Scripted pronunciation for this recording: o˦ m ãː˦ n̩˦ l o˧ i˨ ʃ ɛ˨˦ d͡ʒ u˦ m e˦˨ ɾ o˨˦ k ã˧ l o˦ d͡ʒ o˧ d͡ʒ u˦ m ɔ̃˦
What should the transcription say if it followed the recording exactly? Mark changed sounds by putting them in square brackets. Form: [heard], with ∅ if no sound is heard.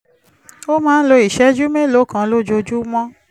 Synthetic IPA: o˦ m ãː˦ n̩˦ l o˧ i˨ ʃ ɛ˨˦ d͡ʒ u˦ m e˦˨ [l] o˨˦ k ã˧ l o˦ d͡ʒ o˧ d͡ʒ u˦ m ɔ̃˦